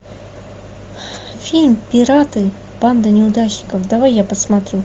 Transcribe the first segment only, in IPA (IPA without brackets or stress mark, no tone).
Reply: fʲ